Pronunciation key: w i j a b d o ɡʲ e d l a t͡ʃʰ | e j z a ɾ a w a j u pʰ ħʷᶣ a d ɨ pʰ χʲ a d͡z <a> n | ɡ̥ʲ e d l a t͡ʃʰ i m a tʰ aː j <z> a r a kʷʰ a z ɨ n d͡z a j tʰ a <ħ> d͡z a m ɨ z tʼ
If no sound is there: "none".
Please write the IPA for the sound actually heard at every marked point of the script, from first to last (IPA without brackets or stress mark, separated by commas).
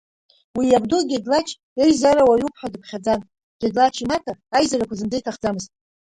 a, z, χ